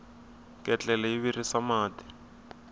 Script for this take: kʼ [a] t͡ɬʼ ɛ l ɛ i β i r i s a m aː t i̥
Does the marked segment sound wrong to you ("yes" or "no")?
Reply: yes